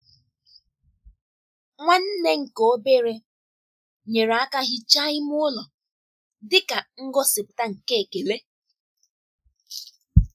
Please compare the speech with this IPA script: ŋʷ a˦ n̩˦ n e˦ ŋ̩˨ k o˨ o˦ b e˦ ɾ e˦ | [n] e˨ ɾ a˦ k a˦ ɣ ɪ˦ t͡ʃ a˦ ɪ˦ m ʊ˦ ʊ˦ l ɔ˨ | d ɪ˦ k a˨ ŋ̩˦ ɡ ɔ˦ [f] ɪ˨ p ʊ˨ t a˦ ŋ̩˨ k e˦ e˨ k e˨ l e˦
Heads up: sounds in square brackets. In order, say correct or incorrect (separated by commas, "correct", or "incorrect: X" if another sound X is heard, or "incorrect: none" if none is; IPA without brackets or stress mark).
incorrect: ɲ, incorrect: s